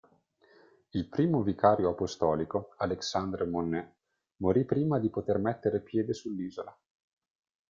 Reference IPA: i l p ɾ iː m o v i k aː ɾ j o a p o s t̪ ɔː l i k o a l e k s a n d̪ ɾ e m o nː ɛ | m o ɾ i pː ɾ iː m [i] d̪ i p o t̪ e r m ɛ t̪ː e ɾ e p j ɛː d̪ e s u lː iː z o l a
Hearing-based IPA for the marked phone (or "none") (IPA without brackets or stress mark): a